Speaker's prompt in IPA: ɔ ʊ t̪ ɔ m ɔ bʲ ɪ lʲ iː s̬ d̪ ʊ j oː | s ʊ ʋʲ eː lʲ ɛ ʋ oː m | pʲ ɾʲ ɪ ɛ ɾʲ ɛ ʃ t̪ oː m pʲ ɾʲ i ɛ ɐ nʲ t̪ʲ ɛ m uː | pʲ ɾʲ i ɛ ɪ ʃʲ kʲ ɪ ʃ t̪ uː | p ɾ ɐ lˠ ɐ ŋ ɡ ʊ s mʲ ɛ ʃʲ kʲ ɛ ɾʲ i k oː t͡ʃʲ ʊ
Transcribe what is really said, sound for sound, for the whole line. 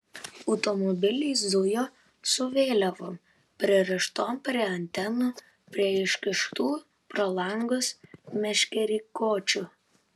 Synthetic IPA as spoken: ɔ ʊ t̪ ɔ m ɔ bʲ ɪ lʲ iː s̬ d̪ ʊ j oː | s ʊ ʋʲ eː lʲ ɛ ʋ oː m | pʲ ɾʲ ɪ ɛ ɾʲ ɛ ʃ t̪ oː m pʲ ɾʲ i ɛ ɐ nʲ t̪ʲ ɛ n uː | pʲ ɾʲ i ɛ ɪ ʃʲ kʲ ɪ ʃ t̪ uː | p ɾ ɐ lˠ ɐ ŋ ɡ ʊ s mʲ ɛ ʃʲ kʲ ɛ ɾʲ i k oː t͡ʃʲ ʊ